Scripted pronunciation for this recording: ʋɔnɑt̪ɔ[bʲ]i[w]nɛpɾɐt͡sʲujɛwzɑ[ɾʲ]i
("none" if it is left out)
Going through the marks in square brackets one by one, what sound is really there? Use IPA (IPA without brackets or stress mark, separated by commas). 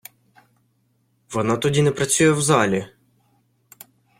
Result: dʲ, none, lʲ